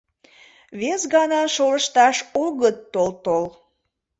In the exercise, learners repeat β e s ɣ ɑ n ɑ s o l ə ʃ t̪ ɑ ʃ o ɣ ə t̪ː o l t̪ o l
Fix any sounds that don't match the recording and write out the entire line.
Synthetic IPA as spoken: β e s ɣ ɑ n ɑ ʃ o l ə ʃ t̪ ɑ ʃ o ɣ ə t̪ː o l t̪ o l